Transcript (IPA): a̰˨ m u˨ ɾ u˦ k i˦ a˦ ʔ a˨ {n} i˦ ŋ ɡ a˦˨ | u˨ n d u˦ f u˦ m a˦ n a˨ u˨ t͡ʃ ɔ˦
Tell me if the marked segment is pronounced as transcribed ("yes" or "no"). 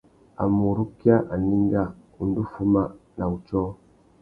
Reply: yes